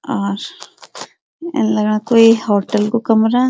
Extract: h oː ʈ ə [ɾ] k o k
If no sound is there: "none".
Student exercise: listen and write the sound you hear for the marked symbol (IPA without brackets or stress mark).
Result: l